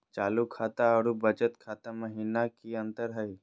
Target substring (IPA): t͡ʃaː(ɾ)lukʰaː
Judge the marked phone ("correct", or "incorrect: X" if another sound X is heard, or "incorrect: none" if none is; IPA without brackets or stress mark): incorrect: none